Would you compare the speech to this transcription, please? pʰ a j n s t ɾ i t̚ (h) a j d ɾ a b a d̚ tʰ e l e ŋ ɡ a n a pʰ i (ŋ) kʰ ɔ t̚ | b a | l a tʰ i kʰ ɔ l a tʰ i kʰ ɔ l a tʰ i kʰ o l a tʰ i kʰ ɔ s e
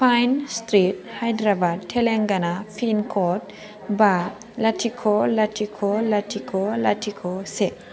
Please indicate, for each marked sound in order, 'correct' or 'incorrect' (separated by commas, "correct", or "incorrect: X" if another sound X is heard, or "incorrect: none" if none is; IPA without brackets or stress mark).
correct, incorrect: n